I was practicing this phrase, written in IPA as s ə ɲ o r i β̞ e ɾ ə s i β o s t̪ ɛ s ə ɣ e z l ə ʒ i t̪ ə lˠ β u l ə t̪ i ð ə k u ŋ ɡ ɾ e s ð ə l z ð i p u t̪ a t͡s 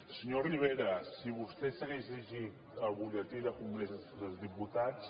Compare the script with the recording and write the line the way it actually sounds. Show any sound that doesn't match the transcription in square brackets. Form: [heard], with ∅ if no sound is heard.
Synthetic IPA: s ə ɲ o r i β̞ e ɾ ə s i β [u] s t̪ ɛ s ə ɣ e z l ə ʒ i t̪ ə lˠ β u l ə t̪ i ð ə k u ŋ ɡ ɾ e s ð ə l z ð i p u t̪ a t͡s

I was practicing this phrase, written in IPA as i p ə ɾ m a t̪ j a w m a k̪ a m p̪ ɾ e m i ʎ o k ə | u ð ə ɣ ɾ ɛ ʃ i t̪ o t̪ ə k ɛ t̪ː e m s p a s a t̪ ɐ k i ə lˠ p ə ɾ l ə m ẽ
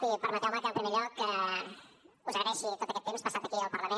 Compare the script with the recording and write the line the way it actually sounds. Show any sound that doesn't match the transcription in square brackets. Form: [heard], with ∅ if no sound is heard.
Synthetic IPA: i p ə ɾ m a t̪ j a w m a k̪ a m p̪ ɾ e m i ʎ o k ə | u [z] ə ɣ ɾ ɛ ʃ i t̪ o t̪ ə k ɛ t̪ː e m s p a s a t̪ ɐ k i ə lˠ p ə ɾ l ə m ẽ

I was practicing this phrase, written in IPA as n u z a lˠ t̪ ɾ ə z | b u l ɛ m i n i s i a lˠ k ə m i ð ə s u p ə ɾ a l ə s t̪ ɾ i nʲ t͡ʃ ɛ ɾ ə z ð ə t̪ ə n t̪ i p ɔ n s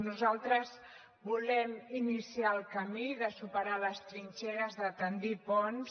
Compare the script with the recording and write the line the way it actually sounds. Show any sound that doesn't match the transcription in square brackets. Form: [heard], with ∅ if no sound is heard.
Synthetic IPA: n u z a lˠ t̪ ɾ ə z | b u l ɛ m i n i s i a lˠ k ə m i ð ə s u p ə ɾ a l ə s t̪ ɾ i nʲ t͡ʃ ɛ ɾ ə z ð ə t̪ ə n [d̪] i p ɔ n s

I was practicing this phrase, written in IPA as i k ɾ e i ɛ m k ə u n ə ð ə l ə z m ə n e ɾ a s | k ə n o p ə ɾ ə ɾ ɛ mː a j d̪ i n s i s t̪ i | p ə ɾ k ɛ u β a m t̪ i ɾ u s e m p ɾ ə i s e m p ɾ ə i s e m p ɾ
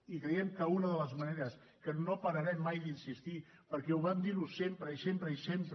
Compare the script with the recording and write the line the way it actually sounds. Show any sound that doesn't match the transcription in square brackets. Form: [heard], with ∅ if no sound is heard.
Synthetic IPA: i k ɾ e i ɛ m k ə u n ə ð ə l ə z m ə n e ɾ [ə] s | k ə n o p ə ɾ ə ɾ ɛ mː a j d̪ i n s i s t̪ i | p ə ɾ k ɛ u β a m [d̪] i ɾ u s e m p ɾ ə i s e m p ɾ ə i s e m p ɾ

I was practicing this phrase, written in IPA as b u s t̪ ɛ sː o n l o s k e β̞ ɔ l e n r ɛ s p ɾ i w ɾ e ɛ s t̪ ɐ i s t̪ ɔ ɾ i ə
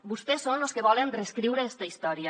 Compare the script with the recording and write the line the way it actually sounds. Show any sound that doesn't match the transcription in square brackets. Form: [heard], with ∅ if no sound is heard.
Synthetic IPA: b u s t̪ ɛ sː o n l o s k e β̞ ɔ l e n r [e] s [k] ɾ i w ɾ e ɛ s t̪ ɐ i s t̪ ɔ ɾ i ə

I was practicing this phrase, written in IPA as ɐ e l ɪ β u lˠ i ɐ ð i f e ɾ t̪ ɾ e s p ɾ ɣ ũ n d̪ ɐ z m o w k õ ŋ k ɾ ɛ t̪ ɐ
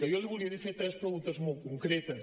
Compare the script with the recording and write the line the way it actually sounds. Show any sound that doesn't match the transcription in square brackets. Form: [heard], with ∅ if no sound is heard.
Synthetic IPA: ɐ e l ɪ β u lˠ i ɐ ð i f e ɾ t̪ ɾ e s p ɾ ɣ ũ n [t̪] ɐ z m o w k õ ŋ k ɾ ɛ t̪ ɐ

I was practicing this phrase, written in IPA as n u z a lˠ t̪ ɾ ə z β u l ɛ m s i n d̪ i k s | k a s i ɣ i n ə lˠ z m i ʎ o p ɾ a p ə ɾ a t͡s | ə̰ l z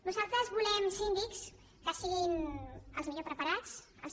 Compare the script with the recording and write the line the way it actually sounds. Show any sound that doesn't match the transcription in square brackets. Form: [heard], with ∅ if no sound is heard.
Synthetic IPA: n u z a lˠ t̪ ɾ ə z β u l ɛ m s i n d̪ i k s | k a s i ɣ i n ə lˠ z m i ʎ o p ɾ [ə] p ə ɾ a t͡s | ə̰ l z

